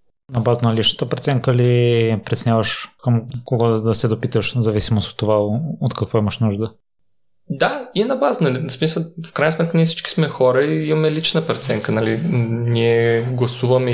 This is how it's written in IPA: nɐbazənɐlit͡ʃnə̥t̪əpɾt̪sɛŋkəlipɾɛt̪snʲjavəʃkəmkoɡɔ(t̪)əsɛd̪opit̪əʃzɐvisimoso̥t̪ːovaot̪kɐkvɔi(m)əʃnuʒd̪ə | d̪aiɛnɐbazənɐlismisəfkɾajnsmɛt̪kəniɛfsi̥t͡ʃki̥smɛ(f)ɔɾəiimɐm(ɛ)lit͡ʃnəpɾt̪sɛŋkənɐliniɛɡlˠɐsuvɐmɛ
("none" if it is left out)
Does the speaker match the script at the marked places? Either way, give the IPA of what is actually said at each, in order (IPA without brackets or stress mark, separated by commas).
d̪, m, x, ɛ